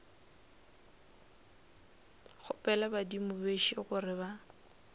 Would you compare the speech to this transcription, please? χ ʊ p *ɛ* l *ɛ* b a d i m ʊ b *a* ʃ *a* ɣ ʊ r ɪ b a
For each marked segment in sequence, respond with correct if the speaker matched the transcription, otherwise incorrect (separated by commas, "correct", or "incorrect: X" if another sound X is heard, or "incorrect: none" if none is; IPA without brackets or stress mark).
correct, incorrect: a, incorrect: e, incorrect: i